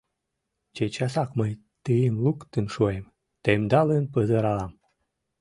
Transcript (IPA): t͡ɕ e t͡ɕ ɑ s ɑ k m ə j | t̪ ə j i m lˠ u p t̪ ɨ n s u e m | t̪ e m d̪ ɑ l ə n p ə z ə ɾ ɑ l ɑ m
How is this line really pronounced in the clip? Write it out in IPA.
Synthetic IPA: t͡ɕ e t͡ɕ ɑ s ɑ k m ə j | t̪ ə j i m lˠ u k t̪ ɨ n ʃ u e m | t̪ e m d̪ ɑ l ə n p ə z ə ɾ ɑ l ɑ m